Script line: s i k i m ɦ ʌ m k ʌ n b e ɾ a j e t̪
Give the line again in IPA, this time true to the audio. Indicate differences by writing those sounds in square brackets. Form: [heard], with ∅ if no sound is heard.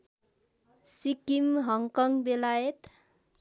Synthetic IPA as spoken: s i k i m ɦ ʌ [ŋ] k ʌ [ŋ] b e [l] a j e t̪